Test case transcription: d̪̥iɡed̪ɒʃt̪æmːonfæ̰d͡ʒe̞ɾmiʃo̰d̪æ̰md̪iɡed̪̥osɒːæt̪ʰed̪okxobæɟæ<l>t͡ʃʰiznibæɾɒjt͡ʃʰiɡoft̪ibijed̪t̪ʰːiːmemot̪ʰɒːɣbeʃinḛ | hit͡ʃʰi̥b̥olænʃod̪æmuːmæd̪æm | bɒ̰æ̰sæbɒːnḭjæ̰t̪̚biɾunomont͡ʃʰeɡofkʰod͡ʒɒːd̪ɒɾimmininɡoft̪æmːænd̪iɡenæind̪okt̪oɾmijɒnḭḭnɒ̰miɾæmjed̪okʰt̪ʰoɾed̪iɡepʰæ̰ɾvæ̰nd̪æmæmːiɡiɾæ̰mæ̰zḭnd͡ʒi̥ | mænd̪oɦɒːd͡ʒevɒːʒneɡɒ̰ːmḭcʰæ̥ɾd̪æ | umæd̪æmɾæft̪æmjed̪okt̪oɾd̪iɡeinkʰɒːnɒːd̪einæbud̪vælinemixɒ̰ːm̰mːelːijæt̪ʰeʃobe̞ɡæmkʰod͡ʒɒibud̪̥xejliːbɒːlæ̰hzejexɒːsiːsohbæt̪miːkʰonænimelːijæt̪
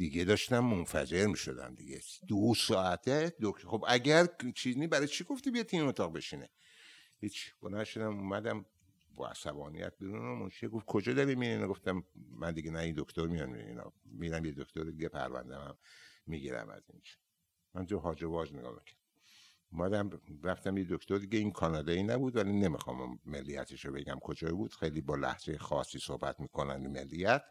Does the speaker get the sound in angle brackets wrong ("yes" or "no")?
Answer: yes